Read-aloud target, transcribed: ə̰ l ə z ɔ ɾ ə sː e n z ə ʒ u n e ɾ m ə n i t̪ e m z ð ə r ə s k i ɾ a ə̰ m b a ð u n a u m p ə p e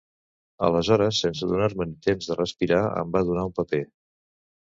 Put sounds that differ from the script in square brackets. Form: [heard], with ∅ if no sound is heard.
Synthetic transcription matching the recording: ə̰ l ə z ɔ ɾ ə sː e n [s] ə [ð] u n [a] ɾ m ə n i t̪ e m z ð ə r ə s [p] i ɾ a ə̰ m b a ð u n a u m p ə p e